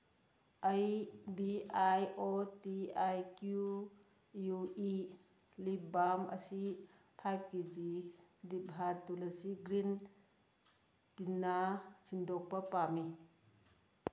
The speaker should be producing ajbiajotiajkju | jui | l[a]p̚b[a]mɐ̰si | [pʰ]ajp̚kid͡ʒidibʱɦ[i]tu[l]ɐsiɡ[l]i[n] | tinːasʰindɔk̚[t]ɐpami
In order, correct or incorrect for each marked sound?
incorrect, correct, correct, incorrect, correct, incorrect, correct, incorrect

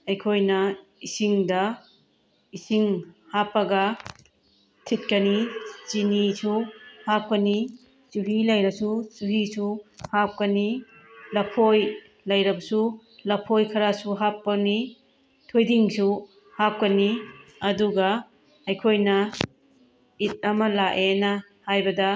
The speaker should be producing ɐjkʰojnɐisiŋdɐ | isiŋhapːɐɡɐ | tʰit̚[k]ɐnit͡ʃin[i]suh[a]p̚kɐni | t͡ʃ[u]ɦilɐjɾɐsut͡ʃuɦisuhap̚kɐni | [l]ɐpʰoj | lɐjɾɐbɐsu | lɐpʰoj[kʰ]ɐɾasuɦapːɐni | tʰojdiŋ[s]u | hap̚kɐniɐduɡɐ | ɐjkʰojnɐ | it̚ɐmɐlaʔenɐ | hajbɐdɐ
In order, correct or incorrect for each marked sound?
correct, correct, correct, correct, correct, correct, correct

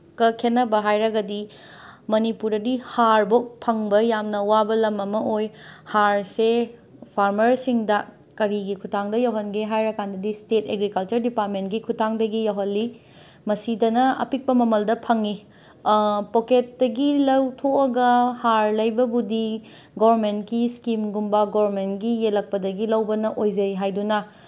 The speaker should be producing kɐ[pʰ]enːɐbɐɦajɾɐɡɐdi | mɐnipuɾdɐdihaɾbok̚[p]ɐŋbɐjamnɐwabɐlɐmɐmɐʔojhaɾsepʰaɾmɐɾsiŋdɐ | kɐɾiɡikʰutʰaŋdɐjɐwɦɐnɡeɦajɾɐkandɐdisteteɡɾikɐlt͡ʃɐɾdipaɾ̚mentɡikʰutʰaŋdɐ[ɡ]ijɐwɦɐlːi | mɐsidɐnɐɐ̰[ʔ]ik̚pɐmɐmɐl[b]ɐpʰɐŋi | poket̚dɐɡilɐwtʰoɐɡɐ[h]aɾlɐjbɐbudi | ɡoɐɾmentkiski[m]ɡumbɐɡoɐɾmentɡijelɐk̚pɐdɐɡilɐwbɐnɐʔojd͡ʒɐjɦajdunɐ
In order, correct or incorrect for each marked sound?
incorrect, incorrect, correct, incorrect, incorrect, correct, correct

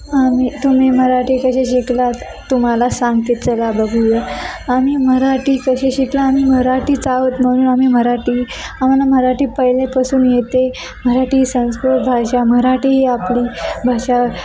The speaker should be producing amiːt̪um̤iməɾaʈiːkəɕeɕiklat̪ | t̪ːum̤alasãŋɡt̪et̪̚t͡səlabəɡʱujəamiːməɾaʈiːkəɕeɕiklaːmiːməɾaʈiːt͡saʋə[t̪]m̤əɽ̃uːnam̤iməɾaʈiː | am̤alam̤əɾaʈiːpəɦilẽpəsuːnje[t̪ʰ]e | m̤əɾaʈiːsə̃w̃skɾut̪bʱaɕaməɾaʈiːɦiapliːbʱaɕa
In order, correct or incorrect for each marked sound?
correct, incorrect

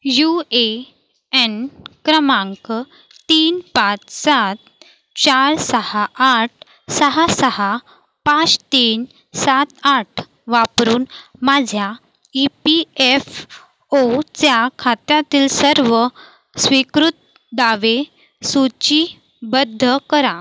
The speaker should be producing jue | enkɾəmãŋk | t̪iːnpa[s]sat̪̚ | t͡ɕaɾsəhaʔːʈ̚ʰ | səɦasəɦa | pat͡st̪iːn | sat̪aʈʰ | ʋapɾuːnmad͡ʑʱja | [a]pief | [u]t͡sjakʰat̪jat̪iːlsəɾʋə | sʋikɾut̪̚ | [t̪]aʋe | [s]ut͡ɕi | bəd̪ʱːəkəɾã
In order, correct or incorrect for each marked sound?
incorrect, incorrect, incorrect, incorrect, correct

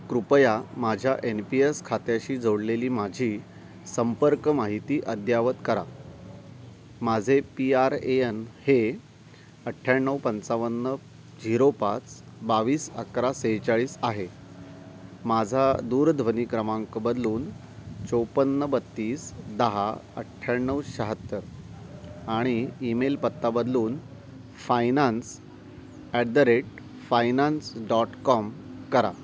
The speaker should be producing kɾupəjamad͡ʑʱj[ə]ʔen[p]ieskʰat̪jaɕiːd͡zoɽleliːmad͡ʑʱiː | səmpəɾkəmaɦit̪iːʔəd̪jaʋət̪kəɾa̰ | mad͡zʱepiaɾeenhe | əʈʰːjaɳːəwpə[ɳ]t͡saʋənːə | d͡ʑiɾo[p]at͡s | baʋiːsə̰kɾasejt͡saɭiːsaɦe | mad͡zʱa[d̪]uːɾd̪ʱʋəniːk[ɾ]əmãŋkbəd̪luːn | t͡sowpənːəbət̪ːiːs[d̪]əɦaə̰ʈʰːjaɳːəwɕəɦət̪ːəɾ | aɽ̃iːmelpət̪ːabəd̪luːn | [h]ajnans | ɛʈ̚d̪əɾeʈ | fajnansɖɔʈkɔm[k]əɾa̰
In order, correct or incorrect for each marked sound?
incorrect, correct, incorrect, correct, correct, correct, correct, incorrect, correct

